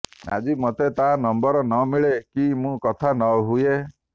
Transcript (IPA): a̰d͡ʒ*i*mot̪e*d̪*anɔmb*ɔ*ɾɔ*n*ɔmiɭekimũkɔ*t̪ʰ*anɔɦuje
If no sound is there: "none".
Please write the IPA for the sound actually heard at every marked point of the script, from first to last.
i, t̪, ɔ, n, t̪ʰ

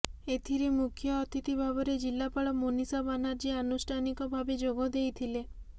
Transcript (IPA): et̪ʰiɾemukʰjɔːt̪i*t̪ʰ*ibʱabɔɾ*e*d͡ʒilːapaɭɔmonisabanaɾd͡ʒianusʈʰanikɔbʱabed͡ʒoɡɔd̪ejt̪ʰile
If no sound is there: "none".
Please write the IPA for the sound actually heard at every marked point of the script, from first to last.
t̪, e

